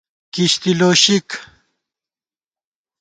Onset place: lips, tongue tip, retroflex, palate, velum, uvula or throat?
velum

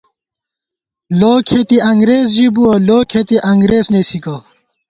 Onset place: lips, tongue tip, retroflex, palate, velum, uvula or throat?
tongue tip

